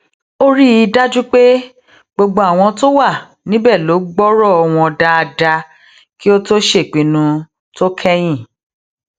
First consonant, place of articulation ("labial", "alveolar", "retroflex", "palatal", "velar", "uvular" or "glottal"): alveolar